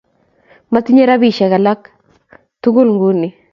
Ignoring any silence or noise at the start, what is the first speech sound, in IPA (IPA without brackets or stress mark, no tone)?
m